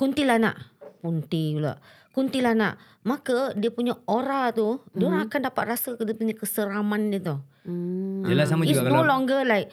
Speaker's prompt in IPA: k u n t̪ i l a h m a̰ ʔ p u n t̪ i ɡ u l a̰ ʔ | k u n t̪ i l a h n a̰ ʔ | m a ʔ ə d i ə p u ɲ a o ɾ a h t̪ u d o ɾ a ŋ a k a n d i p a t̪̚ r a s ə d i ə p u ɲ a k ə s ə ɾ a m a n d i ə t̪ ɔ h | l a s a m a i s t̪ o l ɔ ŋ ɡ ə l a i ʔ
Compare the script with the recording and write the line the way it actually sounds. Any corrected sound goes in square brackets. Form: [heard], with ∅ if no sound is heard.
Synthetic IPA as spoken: k u n t̪ i l a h [n] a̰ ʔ p u n t̪ i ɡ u l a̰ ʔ | k u n t̪ i l a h n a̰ ʔ | m a [k] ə d i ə p u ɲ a o ɾ a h t̪ u d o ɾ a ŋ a k a n d [a] p a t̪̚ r a s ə d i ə p u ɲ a k ə s ə ɾ a m a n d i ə t̪ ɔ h | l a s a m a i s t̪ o l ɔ ŋ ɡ ə l a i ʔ